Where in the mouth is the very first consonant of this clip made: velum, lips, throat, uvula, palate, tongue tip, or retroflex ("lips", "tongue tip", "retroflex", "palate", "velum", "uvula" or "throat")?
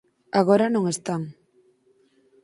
velum